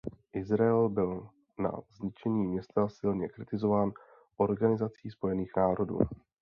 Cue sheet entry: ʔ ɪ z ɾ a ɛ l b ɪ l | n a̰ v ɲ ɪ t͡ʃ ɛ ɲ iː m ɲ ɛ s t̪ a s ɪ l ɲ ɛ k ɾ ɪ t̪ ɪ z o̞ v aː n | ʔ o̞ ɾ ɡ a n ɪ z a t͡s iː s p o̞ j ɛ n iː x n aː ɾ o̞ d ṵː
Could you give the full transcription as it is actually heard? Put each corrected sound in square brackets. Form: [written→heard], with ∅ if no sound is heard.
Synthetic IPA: ʔ ɪ z ɾ a ɛ l b ɪ l | n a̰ [v→z] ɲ ɪ t͡ʃ ɛ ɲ iː m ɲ ɛ s t̪ a s ɪ l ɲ ɛ k ɾ ɪ t̪ ɪ z o̞ v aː n | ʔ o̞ ɾ ɡ a n ɪ z a t͡s iː s p o̞ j ɛ n iː x n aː ɾ o̞ d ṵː